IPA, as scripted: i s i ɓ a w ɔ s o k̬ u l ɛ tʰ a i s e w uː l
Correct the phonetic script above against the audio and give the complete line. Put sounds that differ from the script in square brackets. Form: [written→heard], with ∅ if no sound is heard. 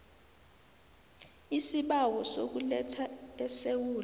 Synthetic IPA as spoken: i s i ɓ a w ɔ s o k̬ u l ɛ tʰ a [i→ɛ] s e w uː l